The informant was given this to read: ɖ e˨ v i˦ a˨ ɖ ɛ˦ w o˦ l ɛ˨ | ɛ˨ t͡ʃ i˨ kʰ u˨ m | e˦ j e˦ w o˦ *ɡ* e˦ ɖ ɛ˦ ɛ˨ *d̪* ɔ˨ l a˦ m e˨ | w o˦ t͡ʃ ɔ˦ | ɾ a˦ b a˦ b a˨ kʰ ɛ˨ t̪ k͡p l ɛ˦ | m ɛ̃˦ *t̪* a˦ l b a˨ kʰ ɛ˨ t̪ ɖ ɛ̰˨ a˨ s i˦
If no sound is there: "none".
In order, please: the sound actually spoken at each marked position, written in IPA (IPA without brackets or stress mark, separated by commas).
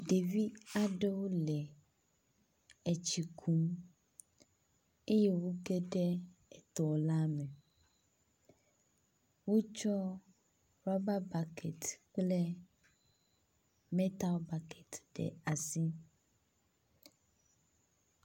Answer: ɡ, t̪, t̪